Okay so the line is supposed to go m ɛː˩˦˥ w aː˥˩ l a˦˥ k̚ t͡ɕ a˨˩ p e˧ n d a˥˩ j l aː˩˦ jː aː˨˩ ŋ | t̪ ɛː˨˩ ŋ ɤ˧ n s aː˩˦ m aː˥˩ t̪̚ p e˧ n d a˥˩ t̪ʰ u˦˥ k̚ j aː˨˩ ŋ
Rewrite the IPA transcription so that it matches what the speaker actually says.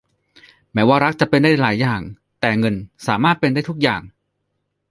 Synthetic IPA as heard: m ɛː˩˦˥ w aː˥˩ ɾ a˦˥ k̚ t͡ɕ a˨˩ p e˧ n d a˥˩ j l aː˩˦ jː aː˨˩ ŋ | t̪ ɛː˨˩ ŋ ɤ˧ n s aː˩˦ m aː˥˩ t̪̚ p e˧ n d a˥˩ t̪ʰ u˦˥ k̚ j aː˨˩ ŋ